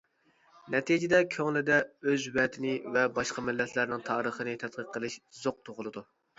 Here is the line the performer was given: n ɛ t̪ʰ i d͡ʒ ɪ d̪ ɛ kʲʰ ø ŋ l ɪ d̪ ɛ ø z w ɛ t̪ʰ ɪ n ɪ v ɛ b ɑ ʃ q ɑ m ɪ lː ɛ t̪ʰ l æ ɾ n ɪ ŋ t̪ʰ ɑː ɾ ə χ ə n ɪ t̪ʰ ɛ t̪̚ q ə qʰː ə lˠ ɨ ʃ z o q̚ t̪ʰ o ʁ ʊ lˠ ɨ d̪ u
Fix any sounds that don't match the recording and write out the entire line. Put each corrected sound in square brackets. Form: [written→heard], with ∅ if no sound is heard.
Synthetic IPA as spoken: n ɛ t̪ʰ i d͡ʒ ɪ d̪ ɛ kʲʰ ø ŋ l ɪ d̪ ɛ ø z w ɛ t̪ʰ ɪ n ɪ v ɛ b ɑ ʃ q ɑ m ɪ lː ɛ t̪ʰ l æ ɾ n ɪ ŋ t̪ʰ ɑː ɾ ə χ ə n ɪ t̪ʰ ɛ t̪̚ q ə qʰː ə lˠ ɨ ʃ z o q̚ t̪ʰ o ʁ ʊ lˠ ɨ d̪ u